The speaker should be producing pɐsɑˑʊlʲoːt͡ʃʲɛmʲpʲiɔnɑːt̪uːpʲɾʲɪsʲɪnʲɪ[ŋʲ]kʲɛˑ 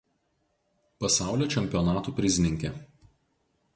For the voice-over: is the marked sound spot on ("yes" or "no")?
yes